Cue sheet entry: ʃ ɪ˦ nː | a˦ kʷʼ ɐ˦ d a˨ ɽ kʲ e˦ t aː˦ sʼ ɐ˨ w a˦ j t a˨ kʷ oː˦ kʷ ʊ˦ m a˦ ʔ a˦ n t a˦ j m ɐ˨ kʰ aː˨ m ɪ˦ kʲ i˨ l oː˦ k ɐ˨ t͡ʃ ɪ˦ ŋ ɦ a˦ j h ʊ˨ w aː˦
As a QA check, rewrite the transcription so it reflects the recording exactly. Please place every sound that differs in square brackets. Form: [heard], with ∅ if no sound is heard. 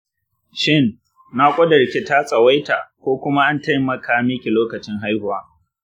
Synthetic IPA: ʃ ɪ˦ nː | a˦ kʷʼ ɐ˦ d [ɐ˨] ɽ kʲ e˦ t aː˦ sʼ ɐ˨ w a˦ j t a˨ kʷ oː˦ kʷ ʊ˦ m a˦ ʔ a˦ n t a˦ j m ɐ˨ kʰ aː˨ m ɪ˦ kʲ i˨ l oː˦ k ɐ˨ t͡ʃ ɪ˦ ŋ ɦ a˦ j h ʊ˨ w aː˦